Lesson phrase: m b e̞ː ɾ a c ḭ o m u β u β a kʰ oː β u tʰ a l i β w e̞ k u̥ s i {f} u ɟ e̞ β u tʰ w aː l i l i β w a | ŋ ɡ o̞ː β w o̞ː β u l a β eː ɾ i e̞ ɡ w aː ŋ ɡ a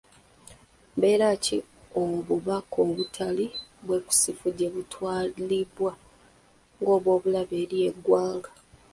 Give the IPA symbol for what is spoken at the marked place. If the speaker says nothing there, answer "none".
f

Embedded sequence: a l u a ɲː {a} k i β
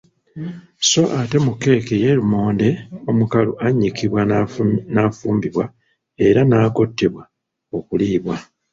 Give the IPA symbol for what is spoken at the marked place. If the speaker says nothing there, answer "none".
i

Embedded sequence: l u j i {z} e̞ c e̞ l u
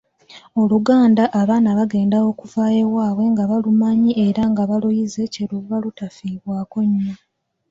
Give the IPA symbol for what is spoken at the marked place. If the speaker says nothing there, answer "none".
z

